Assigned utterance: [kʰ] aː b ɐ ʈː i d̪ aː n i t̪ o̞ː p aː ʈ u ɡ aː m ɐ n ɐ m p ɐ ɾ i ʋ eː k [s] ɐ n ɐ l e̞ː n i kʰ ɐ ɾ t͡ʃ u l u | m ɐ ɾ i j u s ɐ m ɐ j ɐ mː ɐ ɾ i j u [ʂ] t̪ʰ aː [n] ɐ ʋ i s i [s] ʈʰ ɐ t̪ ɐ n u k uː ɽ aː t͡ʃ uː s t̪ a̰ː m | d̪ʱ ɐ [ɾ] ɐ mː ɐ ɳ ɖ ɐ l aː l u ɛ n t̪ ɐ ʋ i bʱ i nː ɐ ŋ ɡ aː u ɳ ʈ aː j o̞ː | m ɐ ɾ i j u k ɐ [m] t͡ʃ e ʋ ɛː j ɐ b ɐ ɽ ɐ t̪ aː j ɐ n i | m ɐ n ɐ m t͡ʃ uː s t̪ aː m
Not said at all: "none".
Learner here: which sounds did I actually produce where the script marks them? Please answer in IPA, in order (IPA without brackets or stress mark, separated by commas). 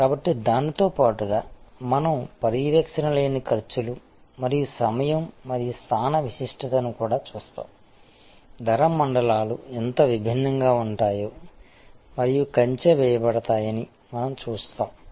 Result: k, ʂ, s, n, ʂ, ɾ, ɲ